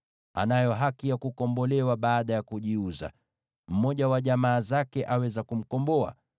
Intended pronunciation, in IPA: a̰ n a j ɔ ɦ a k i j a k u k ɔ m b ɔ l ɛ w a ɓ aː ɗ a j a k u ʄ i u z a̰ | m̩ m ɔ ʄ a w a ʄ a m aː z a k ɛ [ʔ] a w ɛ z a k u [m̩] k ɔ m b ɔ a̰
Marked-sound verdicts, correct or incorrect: correct, correct

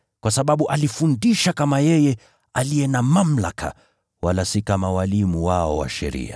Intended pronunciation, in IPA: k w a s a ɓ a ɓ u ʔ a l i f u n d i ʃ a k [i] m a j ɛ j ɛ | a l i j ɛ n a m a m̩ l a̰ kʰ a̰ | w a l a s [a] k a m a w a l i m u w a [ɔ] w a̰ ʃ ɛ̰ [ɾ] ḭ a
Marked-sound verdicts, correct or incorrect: incorrect, incorrect, correct, correct

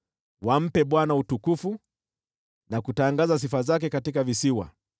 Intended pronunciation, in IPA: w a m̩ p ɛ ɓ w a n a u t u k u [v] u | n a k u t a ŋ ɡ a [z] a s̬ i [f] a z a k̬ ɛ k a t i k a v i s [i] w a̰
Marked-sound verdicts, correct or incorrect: incorrect, correct, correct, correct

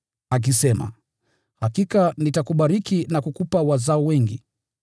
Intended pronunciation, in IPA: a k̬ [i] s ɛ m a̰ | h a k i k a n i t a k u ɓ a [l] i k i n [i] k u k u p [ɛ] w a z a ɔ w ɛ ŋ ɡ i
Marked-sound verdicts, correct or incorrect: correct, incorrect, incorrect, incorrect

